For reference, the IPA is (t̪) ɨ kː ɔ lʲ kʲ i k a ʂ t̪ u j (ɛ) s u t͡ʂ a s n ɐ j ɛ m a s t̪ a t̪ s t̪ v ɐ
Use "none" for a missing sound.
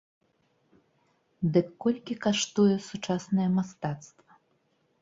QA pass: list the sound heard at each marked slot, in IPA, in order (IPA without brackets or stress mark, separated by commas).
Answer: d̪, ɛ